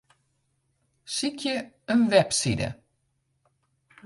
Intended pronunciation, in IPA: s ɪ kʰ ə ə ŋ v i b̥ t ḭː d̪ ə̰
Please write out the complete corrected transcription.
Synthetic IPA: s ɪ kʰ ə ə n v ɛ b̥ s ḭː d̪ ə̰